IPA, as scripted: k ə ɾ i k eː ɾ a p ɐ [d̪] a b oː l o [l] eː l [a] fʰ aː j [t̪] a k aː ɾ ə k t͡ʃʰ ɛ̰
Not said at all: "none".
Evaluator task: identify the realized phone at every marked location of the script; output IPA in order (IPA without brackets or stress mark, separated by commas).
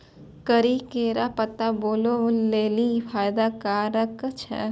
t̪, l, i, d̪